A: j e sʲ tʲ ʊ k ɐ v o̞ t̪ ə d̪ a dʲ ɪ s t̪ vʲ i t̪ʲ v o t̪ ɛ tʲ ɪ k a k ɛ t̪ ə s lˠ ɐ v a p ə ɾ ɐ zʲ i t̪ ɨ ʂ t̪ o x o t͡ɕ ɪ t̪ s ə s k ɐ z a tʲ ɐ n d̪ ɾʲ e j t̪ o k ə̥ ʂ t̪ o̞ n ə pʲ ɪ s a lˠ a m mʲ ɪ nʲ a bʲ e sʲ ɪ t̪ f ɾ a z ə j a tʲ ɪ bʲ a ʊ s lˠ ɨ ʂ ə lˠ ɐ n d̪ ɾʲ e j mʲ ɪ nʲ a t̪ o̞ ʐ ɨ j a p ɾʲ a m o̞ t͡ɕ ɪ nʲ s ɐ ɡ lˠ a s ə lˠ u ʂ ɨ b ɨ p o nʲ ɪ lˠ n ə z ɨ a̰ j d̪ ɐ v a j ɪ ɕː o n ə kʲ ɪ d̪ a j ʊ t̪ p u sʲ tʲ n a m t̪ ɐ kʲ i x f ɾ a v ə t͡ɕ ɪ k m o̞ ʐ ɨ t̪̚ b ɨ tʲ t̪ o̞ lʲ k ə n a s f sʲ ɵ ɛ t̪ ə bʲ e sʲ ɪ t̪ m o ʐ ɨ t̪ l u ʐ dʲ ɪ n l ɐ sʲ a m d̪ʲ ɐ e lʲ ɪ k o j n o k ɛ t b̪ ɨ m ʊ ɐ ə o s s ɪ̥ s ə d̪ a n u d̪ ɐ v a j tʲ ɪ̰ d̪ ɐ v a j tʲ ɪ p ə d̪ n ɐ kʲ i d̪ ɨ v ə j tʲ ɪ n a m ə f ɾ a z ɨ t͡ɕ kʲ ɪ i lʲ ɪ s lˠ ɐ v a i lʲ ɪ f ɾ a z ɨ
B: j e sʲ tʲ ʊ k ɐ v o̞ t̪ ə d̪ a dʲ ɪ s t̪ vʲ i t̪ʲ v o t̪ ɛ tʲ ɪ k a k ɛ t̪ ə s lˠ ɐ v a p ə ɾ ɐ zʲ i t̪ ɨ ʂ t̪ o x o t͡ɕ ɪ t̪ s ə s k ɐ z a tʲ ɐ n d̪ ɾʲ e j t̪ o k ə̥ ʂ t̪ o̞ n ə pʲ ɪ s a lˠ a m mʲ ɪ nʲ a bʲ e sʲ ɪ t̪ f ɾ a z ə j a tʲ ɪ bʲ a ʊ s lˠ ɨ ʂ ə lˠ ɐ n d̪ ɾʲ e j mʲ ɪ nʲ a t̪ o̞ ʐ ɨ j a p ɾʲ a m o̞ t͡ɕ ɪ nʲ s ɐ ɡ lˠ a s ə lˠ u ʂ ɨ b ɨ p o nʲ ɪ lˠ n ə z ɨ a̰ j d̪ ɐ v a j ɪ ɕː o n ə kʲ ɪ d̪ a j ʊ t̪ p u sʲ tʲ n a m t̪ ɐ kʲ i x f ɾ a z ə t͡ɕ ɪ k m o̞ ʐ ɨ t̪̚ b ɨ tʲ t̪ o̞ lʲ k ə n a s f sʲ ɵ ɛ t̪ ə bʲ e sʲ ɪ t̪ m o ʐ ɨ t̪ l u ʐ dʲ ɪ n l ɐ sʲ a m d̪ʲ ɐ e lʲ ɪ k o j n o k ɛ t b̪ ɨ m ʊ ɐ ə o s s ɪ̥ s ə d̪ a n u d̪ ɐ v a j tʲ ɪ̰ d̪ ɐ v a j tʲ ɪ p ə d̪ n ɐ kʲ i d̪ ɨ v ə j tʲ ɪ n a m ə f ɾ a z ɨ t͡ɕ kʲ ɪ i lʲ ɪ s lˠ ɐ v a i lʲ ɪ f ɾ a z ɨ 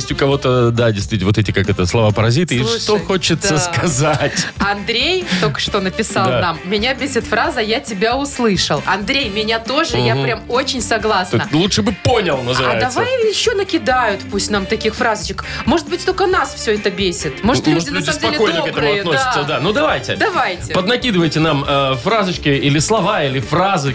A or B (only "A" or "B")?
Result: B